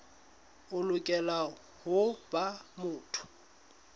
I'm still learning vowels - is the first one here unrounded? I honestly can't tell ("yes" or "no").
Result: no